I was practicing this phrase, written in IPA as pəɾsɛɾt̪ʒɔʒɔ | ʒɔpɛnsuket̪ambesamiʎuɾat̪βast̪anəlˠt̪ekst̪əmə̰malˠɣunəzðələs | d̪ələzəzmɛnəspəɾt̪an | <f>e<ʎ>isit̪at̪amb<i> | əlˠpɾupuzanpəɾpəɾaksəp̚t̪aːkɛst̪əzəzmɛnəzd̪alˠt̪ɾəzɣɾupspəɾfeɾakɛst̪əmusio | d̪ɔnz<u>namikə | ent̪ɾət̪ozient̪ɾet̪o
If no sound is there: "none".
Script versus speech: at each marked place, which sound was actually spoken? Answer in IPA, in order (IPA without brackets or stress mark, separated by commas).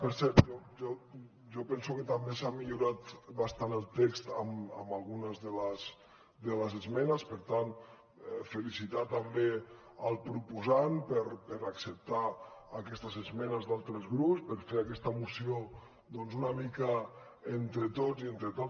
f, l, e, u